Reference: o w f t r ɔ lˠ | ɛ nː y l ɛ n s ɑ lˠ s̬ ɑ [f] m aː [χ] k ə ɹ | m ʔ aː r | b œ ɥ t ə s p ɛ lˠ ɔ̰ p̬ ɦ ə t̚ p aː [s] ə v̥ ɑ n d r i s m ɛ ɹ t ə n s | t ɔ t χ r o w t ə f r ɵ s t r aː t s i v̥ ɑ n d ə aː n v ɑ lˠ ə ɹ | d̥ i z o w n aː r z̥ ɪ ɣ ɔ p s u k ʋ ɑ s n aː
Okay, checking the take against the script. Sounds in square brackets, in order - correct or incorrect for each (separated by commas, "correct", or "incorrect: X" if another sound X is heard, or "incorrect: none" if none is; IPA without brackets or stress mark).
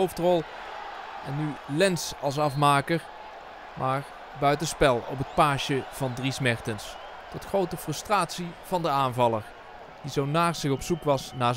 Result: correct, incorrect: none, incorrect: ʃ